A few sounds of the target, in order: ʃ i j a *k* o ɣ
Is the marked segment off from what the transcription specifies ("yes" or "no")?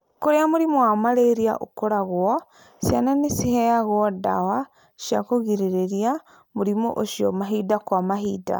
no